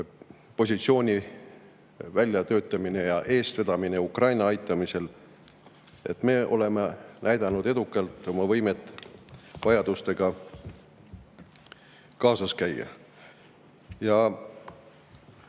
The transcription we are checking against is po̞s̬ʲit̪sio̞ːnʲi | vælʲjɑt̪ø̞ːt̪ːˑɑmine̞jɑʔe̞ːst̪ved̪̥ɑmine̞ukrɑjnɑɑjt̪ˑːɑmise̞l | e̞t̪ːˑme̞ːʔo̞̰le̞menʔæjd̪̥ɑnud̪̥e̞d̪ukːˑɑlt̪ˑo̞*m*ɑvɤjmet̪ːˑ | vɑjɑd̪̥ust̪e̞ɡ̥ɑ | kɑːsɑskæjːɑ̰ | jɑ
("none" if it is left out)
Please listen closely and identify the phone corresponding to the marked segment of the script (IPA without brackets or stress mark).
m